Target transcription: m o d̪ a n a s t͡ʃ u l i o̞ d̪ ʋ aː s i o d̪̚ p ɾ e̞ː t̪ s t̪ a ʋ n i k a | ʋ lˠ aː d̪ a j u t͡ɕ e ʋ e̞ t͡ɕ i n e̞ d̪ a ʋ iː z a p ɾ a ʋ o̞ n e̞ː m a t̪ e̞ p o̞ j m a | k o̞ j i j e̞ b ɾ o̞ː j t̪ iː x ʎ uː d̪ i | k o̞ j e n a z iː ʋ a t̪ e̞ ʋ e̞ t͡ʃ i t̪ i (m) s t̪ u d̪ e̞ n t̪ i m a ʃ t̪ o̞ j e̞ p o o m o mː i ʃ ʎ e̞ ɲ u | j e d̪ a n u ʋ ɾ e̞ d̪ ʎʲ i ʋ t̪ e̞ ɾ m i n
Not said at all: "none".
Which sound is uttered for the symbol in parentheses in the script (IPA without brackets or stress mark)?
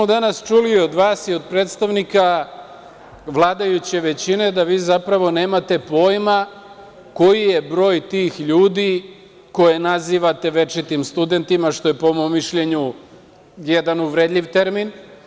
m